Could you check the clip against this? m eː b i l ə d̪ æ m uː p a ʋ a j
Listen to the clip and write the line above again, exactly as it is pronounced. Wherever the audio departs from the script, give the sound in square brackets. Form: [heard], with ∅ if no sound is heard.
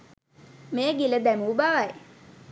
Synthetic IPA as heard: m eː [ɡ] i l ə d̪ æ m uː [b] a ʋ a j